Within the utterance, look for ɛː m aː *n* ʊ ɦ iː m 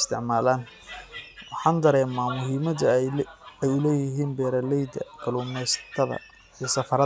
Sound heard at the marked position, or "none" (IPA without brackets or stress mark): m